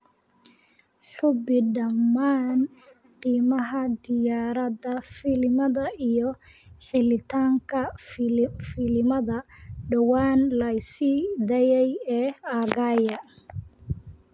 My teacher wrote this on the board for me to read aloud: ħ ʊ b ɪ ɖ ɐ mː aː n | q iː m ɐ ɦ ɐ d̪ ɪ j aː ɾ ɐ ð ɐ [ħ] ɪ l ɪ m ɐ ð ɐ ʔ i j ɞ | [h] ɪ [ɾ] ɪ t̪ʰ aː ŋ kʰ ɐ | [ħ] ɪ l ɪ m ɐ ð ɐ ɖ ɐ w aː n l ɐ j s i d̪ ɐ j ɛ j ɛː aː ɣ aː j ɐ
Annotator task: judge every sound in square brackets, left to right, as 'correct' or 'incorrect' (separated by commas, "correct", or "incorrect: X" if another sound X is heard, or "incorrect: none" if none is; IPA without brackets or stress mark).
incorrect: f, incorrect: ħ, incorrect: l, incorrect: f